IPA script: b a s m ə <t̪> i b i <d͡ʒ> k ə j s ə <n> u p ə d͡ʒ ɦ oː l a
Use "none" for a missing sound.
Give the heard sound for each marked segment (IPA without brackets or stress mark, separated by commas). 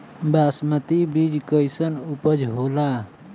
t̪, d͡ʒ, n